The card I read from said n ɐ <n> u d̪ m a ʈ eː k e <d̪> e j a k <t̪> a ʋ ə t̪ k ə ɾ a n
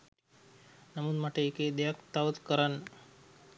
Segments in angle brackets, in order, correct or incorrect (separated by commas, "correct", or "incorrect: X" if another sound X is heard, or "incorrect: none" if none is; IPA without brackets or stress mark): incorrect: m, correct, correct